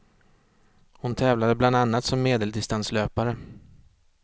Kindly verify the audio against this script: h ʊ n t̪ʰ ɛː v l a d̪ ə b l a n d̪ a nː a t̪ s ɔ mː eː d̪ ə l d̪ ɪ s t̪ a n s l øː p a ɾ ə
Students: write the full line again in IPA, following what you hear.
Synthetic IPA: h ʊ n t̪ʰ ɛː v l a d̪ ə b l a n d̪ a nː a t̪ s ɔ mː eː d̪ ə l d̪ ɪ s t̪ a n s l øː p a ɾ ə